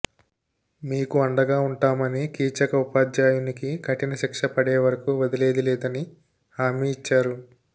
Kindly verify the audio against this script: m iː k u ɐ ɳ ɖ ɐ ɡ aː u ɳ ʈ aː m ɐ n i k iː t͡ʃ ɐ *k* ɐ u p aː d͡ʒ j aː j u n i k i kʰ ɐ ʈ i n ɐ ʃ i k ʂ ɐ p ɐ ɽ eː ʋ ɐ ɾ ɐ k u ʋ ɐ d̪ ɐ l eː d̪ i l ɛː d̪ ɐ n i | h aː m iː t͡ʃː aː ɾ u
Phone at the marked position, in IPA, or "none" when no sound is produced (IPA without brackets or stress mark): k